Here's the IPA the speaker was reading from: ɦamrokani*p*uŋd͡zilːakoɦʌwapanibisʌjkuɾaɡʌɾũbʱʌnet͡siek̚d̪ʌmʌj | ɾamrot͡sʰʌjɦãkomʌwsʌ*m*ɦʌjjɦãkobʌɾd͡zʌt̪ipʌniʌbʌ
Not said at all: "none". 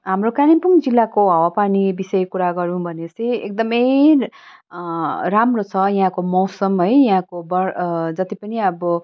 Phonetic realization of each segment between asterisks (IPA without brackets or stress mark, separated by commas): p, m